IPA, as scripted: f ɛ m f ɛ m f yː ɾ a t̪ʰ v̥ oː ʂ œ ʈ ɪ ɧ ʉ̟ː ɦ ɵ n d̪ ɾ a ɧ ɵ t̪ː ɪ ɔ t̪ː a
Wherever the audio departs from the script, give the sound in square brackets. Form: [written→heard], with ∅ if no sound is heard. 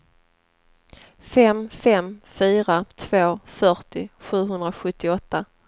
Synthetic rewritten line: f ɛ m f ɛ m f yː ɾ a t̪ʰ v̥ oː [ʂ→f] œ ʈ ɪ ɧ ʉ̟ː ɦ ɵ n d̪ ɾ a ɧ ɵ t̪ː ɪ ɔ t̪ː a